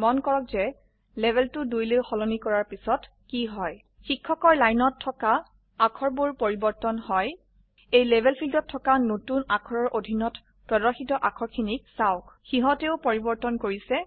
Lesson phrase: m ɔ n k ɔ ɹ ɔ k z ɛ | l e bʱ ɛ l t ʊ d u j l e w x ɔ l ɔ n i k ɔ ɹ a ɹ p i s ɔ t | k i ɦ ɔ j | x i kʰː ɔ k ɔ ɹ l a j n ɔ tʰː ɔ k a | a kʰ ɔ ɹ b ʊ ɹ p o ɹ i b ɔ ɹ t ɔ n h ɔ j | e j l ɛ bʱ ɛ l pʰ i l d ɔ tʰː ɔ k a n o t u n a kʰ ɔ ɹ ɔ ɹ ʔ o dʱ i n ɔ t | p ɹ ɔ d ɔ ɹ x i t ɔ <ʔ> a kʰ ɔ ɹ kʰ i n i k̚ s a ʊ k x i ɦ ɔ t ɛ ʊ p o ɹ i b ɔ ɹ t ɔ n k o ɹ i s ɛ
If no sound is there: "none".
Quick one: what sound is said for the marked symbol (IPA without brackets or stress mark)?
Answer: ʔ